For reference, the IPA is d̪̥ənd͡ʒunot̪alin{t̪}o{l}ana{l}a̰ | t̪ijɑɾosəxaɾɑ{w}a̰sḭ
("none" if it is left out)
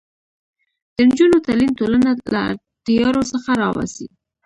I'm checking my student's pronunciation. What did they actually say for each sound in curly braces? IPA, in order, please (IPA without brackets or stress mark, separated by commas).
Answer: t̪, l, l, w